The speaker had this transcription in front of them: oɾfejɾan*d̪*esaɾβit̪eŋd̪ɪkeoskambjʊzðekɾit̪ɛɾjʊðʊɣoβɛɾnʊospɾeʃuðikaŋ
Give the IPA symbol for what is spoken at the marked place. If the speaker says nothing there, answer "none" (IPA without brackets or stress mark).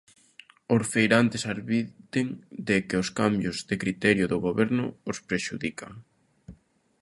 t̪